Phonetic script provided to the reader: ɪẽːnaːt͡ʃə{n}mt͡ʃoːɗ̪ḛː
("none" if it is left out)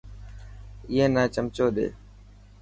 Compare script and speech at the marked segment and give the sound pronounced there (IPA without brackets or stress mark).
none